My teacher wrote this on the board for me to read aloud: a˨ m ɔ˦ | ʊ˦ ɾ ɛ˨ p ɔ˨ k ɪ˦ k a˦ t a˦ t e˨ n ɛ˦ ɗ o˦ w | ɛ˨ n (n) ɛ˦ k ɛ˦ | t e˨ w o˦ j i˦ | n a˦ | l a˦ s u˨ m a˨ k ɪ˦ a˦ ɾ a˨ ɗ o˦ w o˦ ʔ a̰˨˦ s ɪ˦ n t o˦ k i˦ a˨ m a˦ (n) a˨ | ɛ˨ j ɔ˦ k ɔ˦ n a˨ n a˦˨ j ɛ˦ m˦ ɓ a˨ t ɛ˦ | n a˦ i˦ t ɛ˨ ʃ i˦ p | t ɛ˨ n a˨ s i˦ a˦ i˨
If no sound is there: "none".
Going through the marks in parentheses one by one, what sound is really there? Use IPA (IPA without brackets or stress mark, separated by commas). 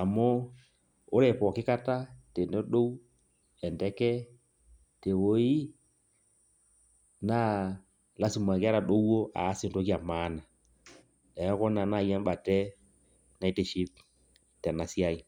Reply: d, n